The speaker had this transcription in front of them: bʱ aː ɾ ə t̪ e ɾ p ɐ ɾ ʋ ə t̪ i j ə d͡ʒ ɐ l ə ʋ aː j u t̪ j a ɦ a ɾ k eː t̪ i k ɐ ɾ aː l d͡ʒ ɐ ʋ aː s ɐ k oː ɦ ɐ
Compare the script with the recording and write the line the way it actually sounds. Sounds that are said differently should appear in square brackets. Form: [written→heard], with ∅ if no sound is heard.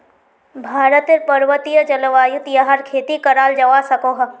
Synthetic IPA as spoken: bʱ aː ɾ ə t̪ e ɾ p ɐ ɾ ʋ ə t̪ i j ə d͡ʒ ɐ l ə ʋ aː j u t̪ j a ɦ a ɾ [k→kʰ] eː t̪ i k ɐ ɾ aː l d͡ʒ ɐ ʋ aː s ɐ k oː ɦ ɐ